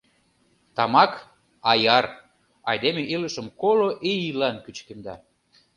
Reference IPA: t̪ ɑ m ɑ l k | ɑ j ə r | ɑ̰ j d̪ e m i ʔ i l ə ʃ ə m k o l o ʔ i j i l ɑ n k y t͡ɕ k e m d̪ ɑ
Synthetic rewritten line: t̪ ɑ m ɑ k | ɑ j ɑ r | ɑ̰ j d̪ e m e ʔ i l ə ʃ ə m k o l o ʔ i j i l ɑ n k y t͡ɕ k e m d̪ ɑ